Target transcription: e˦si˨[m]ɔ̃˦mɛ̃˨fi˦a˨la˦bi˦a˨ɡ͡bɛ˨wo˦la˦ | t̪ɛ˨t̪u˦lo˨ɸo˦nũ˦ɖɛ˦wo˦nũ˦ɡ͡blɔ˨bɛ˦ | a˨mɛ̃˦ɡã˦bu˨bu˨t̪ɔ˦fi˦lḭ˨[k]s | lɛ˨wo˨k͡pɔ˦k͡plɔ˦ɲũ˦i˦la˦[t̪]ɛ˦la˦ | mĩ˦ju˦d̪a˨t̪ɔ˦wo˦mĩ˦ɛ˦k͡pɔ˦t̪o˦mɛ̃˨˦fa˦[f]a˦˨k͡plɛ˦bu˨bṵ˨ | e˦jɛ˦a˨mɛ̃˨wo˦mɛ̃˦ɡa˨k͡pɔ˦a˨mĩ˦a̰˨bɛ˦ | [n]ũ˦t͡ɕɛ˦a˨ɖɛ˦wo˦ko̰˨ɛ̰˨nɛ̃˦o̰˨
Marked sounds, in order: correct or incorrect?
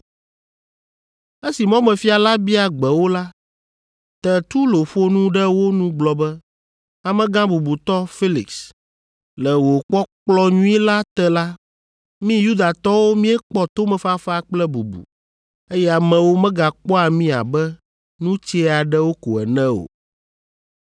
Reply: correct, correct, correct, correct, correct

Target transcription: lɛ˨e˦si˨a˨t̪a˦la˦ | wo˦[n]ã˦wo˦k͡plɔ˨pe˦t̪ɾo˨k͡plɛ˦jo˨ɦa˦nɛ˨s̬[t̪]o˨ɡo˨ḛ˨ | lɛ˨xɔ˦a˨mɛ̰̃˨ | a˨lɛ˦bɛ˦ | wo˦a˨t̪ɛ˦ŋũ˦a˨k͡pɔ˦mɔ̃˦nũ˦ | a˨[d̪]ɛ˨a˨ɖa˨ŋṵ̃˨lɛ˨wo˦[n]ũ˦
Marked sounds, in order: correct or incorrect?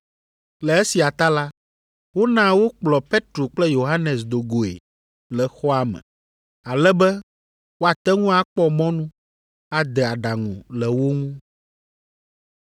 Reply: correct, incorrect, correct, incorrect

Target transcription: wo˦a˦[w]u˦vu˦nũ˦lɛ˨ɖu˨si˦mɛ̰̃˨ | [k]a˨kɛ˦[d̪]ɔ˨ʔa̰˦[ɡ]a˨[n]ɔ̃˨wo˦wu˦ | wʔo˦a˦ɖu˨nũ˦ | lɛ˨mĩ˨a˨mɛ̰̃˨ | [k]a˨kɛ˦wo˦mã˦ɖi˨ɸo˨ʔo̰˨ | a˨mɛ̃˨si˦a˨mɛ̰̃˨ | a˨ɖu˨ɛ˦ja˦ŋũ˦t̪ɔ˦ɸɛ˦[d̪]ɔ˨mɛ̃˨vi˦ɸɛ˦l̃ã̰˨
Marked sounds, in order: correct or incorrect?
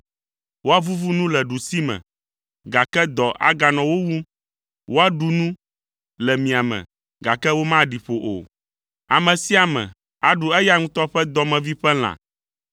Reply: incorrect, incorrect, correct, correct, correct, incorrect, correct

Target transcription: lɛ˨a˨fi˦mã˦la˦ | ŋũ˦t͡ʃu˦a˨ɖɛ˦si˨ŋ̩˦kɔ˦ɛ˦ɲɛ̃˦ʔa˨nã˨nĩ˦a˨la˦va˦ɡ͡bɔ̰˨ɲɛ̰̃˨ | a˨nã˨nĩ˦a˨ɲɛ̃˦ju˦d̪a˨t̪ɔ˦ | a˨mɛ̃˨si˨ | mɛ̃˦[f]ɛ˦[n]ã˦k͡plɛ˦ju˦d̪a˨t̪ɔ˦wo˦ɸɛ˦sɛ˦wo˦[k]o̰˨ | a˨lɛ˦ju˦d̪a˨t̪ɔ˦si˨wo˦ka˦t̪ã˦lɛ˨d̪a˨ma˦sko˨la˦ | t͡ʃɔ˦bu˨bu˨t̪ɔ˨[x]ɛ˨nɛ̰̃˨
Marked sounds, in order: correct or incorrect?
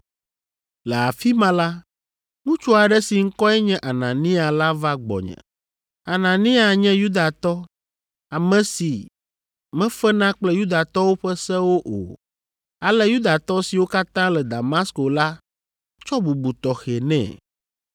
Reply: correct, correct, incorrect, correct

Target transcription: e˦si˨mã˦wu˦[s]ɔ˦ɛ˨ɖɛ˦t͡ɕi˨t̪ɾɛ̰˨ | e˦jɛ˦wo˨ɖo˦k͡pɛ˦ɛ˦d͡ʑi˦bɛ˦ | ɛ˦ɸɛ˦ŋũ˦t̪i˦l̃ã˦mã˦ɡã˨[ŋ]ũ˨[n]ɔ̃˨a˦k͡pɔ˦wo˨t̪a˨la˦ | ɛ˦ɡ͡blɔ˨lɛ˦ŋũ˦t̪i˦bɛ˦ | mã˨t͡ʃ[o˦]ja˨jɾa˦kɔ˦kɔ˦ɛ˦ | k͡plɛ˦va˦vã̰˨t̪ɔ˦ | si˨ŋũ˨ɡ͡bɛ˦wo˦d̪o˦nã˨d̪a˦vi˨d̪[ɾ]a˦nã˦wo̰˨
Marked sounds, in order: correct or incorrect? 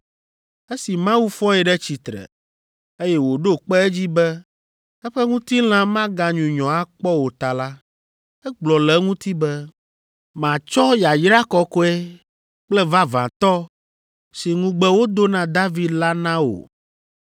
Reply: incorrect, incorrect, incorrect, incorrect, incorrect

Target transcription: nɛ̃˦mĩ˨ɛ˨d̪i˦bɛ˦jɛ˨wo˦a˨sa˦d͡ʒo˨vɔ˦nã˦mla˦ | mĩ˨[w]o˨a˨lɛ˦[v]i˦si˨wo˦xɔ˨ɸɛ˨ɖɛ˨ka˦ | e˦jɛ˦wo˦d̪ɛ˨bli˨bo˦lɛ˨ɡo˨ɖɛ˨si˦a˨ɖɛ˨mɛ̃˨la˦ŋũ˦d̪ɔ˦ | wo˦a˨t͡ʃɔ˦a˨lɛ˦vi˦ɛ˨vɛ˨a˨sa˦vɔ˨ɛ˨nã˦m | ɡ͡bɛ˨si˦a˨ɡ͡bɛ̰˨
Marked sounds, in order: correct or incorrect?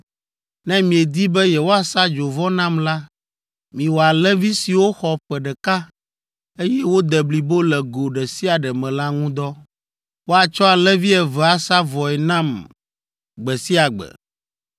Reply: correct, correct

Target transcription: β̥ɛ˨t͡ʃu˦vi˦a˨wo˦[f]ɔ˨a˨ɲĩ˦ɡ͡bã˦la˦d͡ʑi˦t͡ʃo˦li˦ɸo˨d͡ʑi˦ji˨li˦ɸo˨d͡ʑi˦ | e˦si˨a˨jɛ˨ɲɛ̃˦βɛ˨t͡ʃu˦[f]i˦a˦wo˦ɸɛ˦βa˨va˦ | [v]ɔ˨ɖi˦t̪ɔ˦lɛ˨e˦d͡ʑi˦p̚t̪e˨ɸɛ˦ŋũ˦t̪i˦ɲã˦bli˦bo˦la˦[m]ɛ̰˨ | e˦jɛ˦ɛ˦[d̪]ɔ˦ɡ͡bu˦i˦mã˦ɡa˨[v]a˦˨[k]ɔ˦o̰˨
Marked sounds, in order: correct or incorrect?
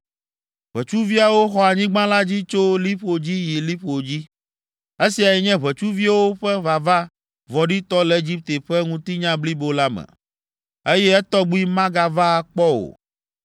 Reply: incorrect, incorrect, correct, correct, incorrect, correct, incorrect

